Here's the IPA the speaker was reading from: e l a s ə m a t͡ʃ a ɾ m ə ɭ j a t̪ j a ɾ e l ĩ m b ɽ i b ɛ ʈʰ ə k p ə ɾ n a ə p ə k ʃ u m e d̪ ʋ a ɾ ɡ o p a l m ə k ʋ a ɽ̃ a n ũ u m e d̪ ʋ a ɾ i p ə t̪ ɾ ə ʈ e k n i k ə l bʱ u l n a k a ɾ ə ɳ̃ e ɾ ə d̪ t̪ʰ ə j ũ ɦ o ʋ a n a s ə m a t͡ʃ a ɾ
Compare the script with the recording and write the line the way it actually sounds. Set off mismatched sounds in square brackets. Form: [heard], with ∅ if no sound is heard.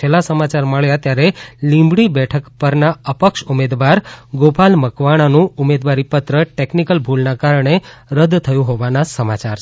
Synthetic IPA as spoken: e l a s ə m a t͡ʃ a ɾ m ə ɭ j a t̪ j a ɾ e l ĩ m b ɽ i b ɛ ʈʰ ə k p ə ɾ n a ə p ə k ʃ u m e d̪ ʋ a ɾ ɡ o p a l m ə k ʋ a ɽ̃ a n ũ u m e d̪ ʋ a ɾ i p ə t̪ ɾ ə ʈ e k n i k ə l bʱ u l n a k a ɾ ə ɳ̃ e ɾ ə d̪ t̪ʰ ə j ũ ɦ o ʋ a n a s ə m a t͡ʃ a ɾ